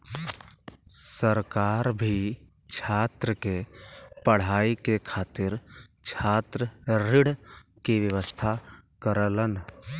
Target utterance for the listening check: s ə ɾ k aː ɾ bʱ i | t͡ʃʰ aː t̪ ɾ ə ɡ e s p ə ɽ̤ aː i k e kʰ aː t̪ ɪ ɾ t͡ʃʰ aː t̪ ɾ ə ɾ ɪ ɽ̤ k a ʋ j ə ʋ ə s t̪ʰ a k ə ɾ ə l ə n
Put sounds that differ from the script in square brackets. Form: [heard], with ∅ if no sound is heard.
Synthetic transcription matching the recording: s ə ɾ k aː ɾ bʱ i | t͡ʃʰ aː t̪ ɾ ə [k] e [∅] p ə ɽ̤ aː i k e kʰ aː t̪ ɪ ɾ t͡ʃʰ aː t̪ ɾ ə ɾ ɪ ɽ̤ k [i] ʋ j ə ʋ ə s t̪ʰ a k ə ɾ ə l ə n

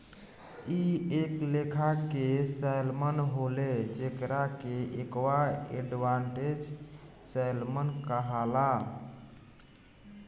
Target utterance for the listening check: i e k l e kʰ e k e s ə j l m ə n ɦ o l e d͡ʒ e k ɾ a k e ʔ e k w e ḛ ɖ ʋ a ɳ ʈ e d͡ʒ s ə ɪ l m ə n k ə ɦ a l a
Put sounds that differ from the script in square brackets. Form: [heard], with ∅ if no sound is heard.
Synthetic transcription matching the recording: i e k l e kʰ [a] k e s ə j l m ə n ɦ o l e d͡ʒ e k ɾ a k e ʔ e k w [a] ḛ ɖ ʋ a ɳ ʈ e d͡ʒ s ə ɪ l m ə n k ə ɦ a l a

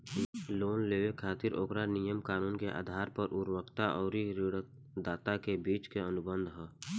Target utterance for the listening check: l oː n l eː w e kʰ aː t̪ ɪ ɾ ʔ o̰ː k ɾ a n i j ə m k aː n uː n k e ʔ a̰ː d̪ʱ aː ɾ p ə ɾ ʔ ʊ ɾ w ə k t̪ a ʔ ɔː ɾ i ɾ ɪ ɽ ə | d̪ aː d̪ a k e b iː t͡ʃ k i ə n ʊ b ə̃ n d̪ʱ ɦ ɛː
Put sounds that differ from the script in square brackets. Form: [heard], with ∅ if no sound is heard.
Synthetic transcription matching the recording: l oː n l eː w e kʰ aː t̪ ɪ ɾ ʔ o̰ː k ɾ a n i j ə m k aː n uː n k e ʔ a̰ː d̪ʱ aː ɾ p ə ɾ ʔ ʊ ɾ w ə k t̪ a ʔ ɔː ɾ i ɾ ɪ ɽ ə | d̪ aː [t̪] a k e b iː t͡ʃ k [e] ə n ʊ b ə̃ n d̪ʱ ɦ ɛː

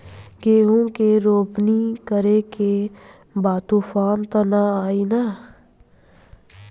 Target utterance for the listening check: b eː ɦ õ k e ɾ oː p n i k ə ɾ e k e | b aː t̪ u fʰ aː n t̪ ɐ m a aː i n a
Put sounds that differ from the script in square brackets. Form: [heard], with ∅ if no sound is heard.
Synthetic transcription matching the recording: [ɡ] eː ɦ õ k e ɾ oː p n i k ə ɾ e k e | b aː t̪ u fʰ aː n t̪ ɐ [n] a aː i n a

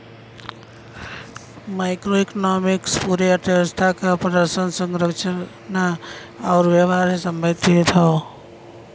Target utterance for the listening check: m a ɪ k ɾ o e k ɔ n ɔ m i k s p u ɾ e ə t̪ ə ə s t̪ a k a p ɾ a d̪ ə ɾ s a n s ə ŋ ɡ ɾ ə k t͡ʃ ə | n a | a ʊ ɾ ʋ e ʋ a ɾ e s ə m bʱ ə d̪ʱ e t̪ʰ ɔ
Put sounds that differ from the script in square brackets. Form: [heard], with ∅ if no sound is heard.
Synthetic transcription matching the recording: m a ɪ k ɾ o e k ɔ n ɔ m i k s p u ɾ e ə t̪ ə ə s [t̪ʰ] a k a p ɾ [ə] d̪ ə ɾ s [ə] n s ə ŋ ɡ ɾ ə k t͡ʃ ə | n a | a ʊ ɾ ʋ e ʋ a ɾ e s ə m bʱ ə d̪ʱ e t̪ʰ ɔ

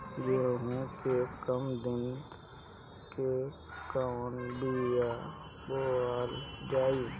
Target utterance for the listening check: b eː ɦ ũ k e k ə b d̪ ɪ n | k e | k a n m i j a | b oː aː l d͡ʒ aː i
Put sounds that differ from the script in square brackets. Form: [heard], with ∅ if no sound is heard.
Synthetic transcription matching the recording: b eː ɦ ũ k e k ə [m] d̪ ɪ n | k e | k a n [b] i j a | b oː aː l d͡ʒ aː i

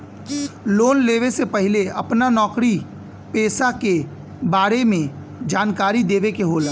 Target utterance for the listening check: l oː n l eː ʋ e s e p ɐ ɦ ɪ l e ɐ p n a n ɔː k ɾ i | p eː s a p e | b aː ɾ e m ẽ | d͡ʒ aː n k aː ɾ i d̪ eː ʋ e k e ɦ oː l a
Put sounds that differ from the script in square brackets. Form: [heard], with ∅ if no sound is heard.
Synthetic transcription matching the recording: l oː n l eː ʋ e s e p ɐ ɦ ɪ l e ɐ p n a n ɔː k ɾ i | p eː s a [k] e | b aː ɾ e m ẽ | d͡ʒ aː n k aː ɾ i d̪ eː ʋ e k e ɦ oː l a

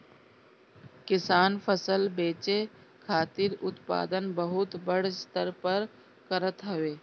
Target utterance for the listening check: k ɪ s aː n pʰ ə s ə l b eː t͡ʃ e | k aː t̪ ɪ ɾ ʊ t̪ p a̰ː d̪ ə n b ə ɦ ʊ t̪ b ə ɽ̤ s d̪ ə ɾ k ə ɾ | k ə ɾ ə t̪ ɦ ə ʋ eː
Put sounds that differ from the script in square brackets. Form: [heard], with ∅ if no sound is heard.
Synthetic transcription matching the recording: k ɪ s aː n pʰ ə s ə l b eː t͡ʃ e | [kʰ] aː t̪ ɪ ɾ ʊ t̪ p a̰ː d̪ ə n b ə ɦ ʊ t̪ b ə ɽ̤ s [t̪] ə ɾ [p] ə ɾ | k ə ɾ ə t̪ ɦ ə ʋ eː

